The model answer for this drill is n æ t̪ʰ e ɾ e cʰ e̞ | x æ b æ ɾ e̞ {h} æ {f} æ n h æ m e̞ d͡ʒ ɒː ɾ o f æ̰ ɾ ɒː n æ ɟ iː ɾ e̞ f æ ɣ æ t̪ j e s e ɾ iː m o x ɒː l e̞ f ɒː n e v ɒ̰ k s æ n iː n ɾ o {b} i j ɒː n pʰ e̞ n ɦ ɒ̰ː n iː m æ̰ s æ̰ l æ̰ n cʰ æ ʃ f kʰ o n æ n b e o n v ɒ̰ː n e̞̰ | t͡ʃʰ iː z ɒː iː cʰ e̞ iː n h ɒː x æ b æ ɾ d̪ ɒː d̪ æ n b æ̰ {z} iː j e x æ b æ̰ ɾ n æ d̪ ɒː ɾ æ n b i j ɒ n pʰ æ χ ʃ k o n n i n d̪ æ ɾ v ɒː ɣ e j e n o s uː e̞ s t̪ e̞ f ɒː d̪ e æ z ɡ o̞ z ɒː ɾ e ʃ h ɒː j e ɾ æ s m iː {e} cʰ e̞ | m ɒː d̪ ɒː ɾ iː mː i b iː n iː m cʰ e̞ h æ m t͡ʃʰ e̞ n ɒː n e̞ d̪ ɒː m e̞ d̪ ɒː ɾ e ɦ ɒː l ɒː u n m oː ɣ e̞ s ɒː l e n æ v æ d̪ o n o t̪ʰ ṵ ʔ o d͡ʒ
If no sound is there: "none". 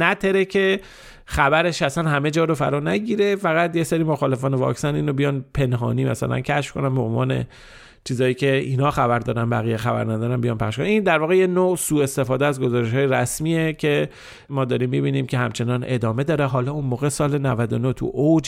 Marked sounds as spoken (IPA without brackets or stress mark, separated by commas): ʃ, s, b, ɣ, e